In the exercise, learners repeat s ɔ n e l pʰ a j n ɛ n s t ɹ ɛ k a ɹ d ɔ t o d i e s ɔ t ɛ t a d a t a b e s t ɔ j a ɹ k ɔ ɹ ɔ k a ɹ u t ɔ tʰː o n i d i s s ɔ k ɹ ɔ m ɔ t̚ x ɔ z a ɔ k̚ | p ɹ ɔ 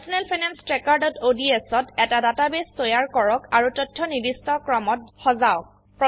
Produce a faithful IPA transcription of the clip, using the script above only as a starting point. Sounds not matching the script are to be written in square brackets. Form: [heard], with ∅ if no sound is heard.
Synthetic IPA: s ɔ n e l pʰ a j n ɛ n s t ɹ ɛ k a ɹ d ɔ t o d i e s ɔ t ɛ t a d a t a b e s t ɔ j a ɹ k ɔ ɹ ɔ k a ɹ u t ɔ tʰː [ɔ] n i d i s [t] ɔ k ɹ ɔ m ɔ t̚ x ɔ z a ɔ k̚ | p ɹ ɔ